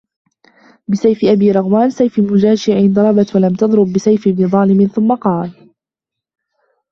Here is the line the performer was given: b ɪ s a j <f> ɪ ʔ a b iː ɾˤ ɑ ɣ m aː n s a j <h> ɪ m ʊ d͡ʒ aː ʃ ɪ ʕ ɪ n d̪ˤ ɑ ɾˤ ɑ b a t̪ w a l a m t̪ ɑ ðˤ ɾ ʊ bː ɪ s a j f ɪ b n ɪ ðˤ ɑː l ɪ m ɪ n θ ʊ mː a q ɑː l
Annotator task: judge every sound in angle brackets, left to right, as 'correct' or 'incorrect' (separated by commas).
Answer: correct, incorrect